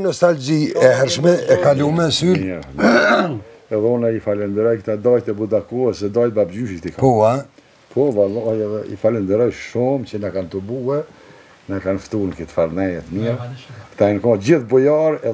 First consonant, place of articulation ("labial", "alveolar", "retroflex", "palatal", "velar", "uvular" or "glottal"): alveolar